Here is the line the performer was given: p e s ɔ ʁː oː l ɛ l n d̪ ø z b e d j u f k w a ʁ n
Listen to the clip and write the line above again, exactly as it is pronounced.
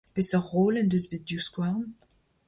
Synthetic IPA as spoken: p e s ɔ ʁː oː l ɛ n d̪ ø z b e d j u s k w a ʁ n

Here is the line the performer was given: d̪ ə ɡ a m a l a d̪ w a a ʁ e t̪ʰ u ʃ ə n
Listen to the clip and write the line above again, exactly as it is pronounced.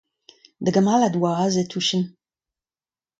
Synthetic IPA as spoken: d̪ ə ɡ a m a l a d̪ w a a z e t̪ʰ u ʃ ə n

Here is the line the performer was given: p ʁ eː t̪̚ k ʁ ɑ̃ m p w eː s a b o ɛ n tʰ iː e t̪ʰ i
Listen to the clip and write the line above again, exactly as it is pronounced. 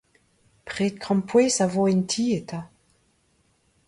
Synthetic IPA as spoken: p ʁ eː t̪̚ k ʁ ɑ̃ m p w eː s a v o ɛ n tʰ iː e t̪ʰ a

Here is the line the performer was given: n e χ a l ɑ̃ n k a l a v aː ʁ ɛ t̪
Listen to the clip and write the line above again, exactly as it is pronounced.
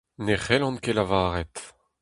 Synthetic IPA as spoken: n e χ ɛ l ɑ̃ n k e l a v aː ʁ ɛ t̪

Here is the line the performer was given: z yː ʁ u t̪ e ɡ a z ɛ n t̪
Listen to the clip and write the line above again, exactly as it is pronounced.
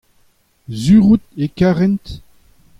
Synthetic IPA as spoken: z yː ʁ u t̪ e k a ʁ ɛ n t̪

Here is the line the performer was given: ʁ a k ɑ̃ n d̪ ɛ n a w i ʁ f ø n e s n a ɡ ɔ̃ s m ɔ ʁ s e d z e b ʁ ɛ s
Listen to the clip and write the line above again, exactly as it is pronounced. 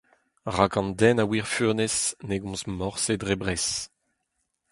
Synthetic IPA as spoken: ʁ a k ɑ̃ n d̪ ɛ n a w i ʁ f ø n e s n e ɡ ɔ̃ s m ɔ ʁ s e d ʁ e b ʁ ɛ s

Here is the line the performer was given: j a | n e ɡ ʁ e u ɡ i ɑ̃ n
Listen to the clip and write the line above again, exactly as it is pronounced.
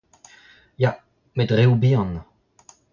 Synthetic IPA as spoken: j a | m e d ʁ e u b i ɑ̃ n

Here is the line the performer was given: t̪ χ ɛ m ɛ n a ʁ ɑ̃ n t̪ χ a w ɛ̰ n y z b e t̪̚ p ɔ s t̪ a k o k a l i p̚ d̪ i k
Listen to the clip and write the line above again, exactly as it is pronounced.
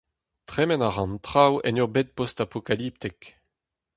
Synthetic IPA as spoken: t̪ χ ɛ m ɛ n a ʁ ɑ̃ n t̪ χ a w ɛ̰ n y ʁ b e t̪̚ p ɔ s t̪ a p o k a l i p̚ t̪ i k

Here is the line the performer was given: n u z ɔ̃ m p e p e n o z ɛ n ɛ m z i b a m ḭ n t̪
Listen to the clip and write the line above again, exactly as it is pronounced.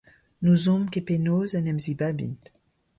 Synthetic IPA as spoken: n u z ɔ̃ m k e p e n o z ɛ n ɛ m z i b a b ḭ n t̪

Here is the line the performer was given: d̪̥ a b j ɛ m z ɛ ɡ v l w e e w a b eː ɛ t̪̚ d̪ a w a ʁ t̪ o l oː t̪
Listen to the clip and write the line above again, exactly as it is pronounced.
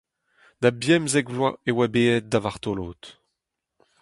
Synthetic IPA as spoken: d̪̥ a b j ɛ m z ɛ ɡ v l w a e w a b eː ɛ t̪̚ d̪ a v a ʁ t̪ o l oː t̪

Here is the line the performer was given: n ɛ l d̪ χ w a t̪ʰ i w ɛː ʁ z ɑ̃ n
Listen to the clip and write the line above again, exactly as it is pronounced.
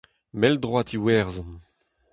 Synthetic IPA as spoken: m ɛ l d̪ ʁ w a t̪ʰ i w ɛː ʁ z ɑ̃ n

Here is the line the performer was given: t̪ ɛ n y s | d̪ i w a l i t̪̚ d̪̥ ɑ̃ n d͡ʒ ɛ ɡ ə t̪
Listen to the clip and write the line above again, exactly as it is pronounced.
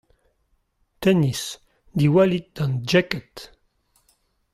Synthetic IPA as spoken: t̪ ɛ n i s | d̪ i w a l i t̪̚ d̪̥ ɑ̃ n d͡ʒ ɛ k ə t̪

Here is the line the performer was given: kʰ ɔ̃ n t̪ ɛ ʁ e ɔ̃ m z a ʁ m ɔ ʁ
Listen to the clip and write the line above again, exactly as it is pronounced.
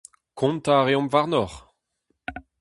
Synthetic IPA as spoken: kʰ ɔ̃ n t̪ a ʁ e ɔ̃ m v a ʁ n ɔ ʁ

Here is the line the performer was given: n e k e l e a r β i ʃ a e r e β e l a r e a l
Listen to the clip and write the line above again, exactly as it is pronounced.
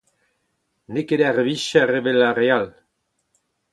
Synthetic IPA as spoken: n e k e ɾ e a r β i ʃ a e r e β e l a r e a l

